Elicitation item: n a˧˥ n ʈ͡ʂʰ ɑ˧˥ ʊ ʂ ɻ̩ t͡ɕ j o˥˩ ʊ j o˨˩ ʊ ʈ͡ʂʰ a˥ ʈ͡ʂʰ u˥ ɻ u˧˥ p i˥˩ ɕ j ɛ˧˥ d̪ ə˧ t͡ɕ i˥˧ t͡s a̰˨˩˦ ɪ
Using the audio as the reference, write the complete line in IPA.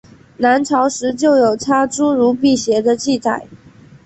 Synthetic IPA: n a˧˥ n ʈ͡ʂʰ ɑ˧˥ ʊ ʂ ɻ̩ t͡ɕ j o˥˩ ʊ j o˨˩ ʊ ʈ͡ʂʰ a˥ ʈ͡ʂ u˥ ɻ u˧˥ p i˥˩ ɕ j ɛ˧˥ d̪ ə˧ t͡ɕ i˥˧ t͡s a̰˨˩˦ ɪ